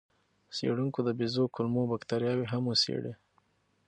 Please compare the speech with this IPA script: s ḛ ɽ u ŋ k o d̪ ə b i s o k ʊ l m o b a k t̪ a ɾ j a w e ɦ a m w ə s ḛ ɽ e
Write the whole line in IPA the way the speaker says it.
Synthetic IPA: s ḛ ɽ u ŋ k o d̪ ə b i z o k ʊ l m o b a k t̪ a ɾ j ɑ w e ɦ a m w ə s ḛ ɽ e